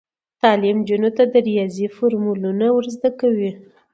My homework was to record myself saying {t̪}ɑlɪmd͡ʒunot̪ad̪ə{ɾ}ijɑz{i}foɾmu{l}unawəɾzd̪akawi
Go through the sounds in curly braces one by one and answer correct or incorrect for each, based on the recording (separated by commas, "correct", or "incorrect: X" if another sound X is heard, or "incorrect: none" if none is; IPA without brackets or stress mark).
correct, correct, correct, correct